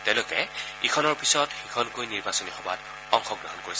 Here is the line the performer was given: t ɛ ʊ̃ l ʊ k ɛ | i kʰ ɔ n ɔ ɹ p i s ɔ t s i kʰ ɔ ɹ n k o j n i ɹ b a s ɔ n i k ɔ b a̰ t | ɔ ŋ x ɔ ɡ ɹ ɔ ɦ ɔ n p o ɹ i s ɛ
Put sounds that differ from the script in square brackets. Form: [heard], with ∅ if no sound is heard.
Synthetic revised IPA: t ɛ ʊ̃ l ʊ k ɛ | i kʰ ɔ n ɔ ɹ p i s ɔ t [x] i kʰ ɔ [∅] n k o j n i ɹ b a s ɔ n i [x] ɔ b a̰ t | ɔ ŋ x ɔ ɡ ɹ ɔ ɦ ɔ n [k] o ɹ i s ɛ